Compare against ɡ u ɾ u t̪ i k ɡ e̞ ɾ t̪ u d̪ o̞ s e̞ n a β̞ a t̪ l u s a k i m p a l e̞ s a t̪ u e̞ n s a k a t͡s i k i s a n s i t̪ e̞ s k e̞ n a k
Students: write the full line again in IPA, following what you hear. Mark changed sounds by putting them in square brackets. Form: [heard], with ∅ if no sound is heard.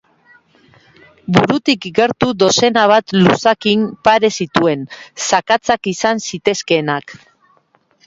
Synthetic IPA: [b] u ɾ u t̪ i k ɡ e̞ ɾ t̪ u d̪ o̞ s e̞ n a β̞ a t̪ l u s a k i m p a [ɾ] e̞ s [i] t̪ u e̞ n s a k a t͡s [a] k i s a n s i t̪ e̞ s k e̞ n a k